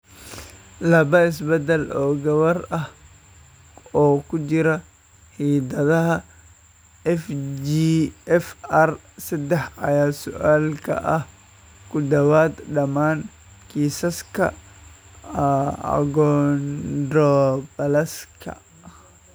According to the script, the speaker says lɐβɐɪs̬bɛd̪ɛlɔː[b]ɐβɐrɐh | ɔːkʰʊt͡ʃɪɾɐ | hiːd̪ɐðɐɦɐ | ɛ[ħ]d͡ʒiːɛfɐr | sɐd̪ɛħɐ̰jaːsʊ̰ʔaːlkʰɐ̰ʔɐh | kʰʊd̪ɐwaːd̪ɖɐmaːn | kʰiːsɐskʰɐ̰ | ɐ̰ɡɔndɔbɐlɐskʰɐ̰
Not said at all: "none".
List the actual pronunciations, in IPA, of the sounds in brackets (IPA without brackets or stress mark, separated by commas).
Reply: ɡ, f